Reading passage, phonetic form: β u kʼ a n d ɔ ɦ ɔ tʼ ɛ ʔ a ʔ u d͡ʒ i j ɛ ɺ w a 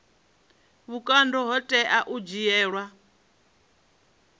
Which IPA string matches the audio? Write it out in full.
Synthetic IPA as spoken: β u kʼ a n d ɔ ɦ ɔ tʼ ɛ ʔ a ʔ u d͡ʒ i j ɛː ɺ w a